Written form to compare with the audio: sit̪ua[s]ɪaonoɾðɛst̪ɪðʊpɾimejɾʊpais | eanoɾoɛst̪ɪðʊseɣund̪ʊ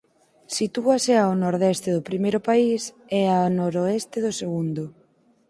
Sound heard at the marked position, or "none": s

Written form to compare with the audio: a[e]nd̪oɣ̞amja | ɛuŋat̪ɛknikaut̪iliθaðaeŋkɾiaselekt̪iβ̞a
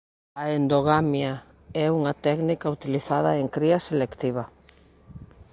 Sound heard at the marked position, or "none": e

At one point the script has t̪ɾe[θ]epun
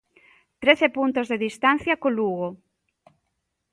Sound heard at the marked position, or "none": θ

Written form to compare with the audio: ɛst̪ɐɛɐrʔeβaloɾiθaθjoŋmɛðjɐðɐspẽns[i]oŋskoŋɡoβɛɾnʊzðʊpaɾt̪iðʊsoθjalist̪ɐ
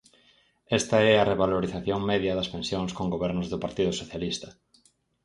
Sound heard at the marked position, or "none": j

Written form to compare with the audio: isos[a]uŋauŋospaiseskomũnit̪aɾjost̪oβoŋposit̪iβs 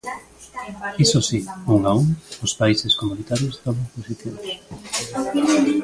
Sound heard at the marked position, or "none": i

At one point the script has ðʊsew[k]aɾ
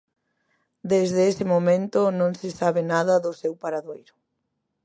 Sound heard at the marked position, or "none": p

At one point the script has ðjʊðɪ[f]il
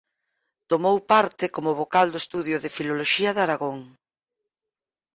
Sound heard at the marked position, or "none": f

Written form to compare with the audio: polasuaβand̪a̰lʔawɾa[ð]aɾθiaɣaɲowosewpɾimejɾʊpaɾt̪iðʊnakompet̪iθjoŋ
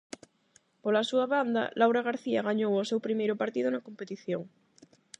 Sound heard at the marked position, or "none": ɣ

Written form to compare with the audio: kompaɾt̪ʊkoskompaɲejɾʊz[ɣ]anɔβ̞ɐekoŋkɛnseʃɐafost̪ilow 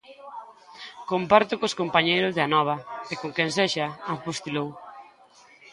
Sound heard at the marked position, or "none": ð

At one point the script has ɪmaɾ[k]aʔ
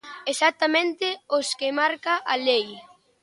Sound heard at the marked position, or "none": k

